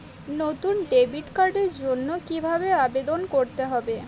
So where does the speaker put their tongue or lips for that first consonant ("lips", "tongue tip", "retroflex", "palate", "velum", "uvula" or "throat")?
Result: tongue tip